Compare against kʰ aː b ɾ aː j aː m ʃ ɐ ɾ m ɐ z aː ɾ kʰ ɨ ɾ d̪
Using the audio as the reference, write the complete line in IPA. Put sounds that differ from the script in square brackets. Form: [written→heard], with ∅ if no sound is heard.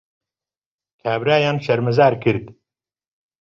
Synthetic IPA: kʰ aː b ɾ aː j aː [m→n] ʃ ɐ ɾ m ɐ z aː ɾ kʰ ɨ ɾ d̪

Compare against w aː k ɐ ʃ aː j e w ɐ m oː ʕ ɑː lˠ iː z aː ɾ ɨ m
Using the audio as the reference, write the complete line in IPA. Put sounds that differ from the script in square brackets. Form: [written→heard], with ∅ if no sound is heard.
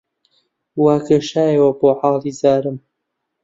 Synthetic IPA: w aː k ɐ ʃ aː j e w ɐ [m→b] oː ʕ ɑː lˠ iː z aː ɾ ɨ m

